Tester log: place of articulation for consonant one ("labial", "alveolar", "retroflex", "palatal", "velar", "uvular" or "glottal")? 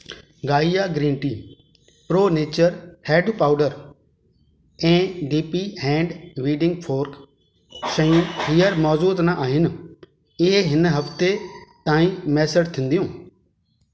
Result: velar